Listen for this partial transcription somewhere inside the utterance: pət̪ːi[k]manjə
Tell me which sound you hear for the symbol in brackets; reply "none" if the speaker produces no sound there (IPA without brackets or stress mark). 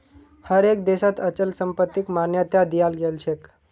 k